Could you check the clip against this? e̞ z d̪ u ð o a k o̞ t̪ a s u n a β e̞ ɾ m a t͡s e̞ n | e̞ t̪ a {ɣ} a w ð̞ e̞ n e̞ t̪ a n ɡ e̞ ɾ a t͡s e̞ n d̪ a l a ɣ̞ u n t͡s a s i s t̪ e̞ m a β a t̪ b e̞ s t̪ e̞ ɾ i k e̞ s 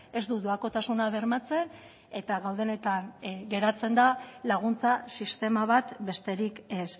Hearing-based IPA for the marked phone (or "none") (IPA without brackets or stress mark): ɣ